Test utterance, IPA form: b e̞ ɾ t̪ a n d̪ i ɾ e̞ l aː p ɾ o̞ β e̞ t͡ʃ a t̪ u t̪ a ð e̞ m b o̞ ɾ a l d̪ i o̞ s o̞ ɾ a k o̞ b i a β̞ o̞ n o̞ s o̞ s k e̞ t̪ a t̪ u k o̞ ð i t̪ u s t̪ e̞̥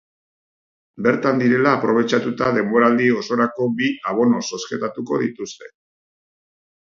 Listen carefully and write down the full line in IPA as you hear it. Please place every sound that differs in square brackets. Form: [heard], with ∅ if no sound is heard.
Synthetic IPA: b e̞ ɾ t̪ a n d̪ i ɾ e̞ l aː p ɾ o̞ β e̞ t͡ʃ a t̪ u t̪ a ð e̞ m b o̞ ɾ a l d̪ i o̞ s o̞ ɾ a k o̞ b i a β̞ o̞ n o̞ s o̞ s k e̞ t̪ a t̪ u k o̞ ð i t̪ u s t̪ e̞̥